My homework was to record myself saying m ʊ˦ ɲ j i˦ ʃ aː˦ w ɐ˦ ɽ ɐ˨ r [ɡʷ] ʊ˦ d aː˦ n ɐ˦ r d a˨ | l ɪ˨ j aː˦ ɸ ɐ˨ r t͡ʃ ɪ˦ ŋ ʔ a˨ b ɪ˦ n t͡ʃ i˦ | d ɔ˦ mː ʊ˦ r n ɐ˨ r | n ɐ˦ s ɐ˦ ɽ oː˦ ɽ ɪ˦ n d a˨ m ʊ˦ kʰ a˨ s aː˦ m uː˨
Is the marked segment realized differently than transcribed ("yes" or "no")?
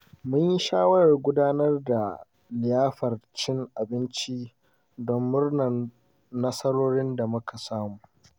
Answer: no